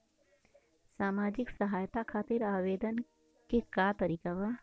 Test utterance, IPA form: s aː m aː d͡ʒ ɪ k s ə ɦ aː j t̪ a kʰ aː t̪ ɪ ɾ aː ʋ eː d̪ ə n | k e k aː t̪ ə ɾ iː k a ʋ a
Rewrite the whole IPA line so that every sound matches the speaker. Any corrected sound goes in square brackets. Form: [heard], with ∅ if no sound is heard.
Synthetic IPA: s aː m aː d͡ʒ ɪ k s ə ɦ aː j t̪ a kʰ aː t̪ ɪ ɾ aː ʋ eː d̪ ə n | k e k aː t̪ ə ɾ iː k a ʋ a